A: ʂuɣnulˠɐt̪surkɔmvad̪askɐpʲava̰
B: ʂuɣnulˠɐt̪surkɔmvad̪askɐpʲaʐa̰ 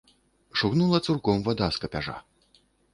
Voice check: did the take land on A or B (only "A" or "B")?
B